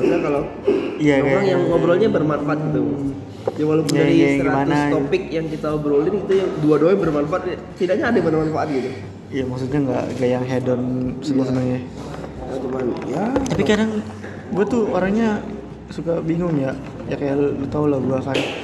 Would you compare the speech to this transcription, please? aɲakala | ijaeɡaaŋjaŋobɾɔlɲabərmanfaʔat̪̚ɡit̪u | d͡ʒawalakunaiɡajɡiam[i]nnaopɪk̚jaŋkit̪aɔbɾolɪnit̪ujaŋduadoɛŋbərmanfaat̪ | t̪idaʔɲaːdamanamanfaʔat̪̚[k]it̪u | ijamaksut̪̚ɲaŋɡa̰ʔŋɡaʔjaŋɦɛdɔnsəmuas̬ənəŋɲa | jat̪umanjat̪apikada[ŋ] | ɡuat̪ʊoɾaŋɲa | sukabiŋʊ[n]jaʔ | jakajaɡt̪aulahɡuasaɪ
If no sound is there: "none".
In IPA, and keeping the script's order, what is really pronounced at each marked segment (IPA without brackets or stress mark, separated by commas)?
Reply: a, ɡ, ŋ, ŋ